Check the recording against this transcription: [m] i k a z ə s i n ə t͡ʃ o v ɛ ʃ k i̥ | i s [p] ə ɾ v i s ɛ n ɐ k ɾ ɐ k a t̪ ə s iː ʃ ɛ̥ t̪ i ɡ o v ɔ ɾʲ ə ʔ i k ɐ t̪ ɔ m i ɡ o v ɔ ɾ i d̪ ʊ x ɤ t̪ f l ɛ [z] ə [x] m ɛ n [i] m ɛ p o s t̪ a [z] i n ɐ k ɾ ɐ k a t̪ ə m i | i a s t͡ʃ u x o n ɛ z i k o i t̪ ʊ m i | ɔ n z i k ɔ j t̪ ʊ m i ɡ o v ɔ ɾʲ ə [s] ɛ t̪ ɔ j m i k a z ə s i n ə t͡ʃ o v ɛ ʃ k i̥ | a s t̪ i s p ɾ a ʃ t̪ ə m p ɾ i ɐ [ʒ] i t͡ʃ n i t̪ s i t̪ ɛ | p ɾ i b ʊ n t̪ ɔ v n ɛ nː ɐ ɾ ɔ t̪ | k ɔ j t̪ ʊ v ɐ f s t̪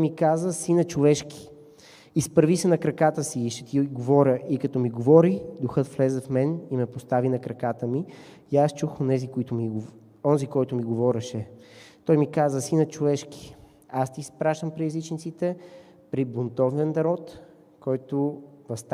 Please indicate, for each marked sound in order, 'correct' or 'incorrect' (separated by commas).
correct, correct, correct, incorrect, correct, incorrect, incorrect, incorrect